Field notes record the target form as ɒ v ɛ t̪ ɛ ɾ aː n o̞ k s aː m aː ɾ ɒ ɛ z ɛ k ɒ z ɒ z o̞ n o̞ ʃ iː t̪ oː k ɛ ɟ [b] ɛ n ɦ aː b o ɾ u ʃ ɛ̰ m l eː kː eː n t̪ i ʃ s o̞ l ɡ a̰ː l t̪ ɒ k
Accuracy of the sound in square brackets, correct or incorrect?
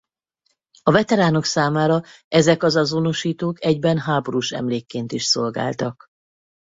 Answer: correct